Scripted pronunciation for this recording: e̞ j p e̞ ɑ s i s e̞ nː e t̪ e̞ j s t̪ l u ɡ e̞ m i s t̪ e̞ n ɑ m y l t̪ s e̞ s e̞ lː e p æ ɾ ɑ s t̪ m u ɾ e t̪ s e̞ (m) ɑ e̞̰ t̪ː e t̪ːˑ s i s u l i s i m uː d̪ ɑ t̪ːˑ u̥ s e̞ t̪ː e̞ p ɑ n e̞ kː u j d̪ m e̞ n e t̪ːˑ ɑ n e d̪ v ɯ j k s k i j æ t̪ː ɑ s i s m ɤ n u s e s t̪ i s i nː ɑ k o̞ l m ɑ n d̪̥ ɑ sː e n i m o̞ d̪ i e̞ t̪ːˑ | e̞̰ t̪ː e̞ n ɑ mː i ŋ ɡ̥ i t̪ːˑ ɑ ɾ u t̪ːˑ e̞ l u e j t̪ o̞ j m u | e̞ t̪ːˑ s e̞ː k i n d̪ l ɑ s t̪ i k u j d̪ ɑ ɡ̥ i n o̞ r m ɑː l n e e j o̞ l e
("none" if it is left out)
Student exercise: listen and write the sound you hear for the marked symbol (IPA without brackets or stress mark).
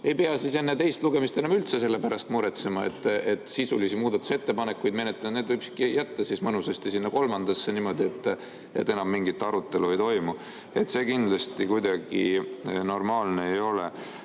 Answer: m